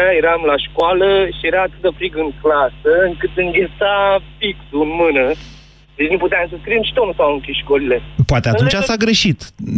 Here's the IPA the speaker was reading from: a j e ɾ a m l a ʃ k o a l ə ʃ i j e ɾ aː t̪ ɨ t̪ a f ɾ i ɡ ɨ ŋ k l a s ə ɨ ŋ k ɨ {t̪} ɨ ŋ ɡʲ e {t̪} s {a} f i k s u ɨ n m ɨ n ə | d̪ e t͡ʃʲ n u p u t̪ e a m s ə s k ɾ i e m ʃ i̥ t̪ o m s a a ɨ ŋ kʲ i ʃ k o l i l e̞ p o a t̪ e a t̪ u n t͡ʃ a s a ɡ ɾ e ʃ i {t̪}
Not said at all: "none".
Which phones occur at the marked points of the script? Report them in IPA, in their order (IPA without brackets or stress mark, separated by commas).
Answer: t̪, t̪, a, t̪